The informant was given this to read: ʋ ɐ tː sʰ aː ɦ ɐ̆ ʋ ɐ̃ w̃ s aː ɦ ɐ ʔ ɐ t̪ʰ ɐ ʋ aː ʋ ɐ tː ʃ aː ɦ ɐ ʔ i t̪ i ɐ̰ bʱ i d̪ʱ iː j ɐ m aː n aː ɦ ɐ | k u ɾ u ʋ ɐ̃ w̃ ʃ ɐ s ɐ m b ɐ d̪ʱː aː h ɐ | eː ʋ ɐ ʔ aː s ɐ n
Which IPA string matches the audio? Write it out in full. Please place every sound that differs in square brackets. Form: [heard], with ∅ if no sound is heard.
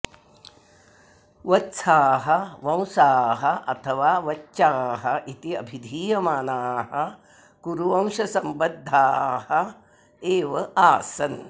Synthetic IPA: ʋ ɐ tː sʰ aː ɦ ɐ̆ ʋ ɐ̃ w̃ s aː ɦ ɐ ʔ ɐ t̪ʰ ɐ ʋ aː ʋ ɐ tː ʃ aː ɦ ɐ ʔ i t̪ i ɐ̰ bʱ i d̪ʱ iː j ɐ m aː n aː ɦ ɐ | k u ɾ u ʋ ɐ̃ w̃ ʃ ɐ s ɐ m b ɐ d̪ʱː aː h ɐ | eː ʋ ɐ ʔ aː s ɐ n

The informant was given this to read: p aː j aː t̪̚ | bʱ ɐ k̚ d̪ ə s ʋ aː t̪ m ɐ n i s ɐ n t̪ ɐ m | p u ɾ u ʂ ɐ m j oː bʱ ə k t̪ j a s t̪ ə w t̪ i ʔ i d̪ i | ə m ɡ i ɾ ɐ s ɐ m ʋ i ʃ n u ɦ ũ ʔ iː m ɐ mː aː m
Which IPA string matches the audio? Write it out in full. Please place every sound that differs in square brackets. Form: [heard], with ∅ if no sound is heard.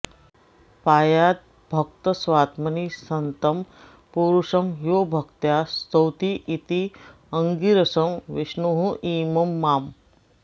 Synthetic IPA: p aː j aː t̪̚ | bʱ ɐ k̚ [t̪] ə s ʋ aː t̪ m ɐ n i s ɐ n t̪ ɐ m | p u ɾ u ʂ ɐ m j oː bʱ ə k t̪ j a s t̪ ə w t̪ i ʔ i [t̪] i | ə [ŋ] ɡ i ɾ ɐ s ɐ m ʋ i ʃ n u ɦ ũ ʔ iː m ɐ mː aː m

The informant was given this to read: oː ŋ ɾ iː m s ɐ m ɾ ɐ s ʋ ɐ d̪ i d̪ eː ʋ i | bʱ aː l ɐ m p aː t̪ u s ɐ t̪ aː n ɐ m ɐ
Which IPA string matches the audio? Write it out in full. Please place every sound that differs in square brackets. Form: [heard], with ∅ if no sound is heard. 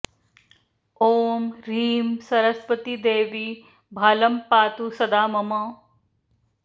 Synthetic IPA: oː [m] ɾ iː m s ɐ [∅] ɾ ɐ s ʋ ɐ [t̪] i d̪ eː ʋ i | bʱ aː l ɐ m p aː t̪ u s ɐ [d̪] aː [m] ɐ m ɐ

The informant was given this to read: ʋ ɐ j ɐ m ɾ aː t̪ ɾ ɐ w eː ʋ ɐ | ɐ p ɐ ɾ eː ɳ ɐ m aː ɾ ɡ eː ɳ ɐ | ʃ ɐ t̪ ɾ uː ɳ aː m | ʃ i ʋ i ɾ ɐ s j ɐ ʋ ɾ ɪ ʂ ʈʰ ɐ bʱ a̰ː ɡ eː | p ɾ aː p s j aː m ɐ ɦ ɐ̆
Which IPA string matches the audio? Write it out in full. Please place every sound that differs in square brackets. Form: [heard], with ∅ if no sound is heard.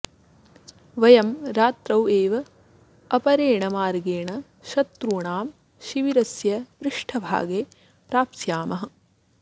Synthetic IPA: ʋ ɐ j ɐ m ɾ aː t̪ ɾ ɐ w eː ʋ ɐ | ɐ p ɐ ɾ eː ɳ ɐ m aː ɾ ɡ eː ɳ ɐ | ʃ ɐ t̪ ɾ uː ɳ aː m | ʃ i ʋ i ɾ ɐ s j ɐ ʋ ɾ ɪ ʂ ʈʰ ɐ bʱ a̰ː ɡ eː | p ɾ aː p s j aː m ɐ ɦ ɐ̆

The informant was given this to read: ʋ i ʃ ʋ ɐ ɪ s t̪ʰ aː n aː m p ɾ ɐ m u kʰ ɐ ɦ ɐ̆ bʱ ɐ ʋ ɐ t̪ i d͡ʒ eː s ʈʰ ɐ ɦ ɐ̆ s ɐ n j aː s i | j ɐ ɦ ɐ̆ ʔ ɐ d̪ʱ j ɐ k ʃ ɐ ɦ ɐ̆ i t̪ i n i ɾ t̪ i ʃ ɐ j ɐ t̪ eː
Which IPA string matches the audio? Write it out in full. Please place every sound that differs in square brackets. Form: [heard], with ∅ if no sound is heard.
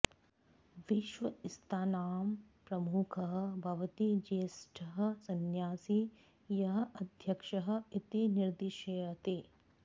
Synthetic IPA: ʋ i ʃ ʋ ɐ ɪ s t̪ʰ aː n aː m p ɾ ɐ m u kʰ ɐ ɦ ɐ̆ bʱ ɐ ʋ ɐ t̪ i d͡ʒ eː s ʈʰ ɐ ɦ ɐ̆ s ɐ n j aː s i | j ɐ ɦ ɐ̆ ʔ ɐ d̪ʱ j ɐ k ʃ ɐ ɦ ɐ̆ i t̪ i n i ɾ [d̪] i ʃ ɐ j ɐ t̪ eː

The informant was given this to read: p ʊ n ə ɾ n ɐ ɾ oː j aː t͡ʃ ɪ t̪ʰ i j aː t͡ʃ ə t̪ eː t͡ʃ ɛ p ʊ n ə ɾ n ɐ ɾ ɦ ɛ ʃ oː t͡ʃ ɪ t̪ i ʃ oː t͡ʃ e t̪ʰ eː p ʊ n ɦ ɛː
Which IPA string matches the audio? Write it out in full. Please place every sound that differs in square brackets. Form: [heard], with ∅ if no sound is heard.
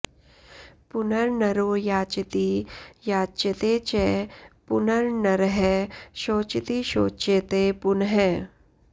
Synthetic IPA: p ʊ n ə ɾ n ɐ ɾ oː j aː t͡ʃ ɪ [t̪] i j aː t͡ʃ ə t̪ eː t͡ʃ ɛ p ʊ n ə ɾ n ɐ ɾ ɦ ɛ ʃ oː t͡ʃ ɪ t̪ i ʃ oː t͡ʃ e [t̪] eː p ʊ n ɦ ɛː

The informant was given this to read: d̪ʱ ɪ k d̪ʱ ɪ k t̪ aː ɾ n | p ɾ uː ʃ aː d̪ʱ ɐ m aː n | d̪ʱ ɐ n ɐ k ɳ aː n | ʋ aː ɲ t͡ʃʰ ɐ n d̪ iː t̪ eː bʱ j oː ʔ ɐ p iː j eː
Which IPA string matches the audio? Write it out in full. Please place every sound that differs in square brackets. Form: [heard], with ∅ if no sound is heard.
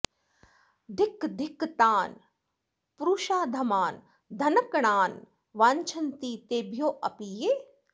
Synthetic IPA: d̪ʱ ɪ k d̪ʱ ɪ k t̪ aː [∅] n | p ɾ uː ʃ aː d̪ʱ ɐ m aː n | d̪ʱ ɐ n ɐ k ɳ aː n | ʋ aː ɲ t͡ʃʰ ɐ n [t̪] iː t̪ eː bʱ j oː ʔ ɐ p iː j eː

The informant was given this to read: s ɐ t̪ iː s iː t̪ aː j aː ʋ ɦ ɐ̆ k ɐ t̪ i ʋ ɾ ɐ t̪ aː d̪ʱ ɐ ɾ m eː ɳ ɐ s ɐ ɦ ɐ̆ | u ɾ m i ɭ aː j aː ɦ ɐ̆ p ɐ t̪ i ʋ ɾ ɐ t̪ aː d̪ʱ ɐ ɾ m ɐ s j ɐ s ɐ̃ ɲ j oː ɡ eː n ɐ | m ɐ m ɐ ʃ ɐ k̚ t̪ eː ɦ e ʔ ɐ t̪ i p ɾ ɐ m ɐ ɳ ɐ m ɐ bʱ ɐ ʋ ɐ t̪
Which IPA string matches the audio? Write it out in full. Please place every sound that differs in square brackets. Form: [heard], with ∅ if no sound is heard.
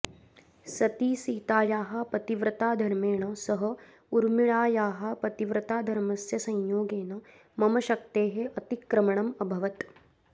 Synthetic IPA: s ɐ t̪ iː s iː t̪ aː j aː [∅] ɦ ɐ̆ [p] ɐ t̪ i ʋ ɾ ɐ t̪ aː d̪ʱ ɐ ɾ m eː ɳ ɐ s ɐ ɦ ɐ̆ | u ɾ m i ɭ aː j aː ɦ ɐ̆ p ɐ t̪ i ʋ ɾ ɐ t̪ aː d̪ʱ ɐ ɾ m ɐ s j ɐ s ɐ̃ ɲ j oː ɡ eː n ɐ | m ɐ m ɐ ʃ ɐ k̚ t̪ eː ɦ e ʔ ɐ t̪ i [k] ɾ ɐ m ɐ ɳ ɐ m ɐ bʱ ɐ ʋ ɐ t̪

